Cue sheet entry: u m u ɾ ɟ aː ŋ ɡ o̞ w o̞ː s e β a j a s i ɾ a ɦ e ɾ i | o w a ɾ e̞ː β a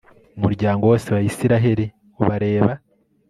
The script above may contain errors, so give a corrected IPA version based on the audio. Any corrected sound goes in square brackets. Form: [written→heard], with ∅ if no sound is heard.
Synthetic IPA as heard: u m u ɾ ɟ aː ŋ ɡ o̞ w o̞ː s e β a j [a→i] s i ɾ a ɦ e ɾ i | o [w→β] a ɾ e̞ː β a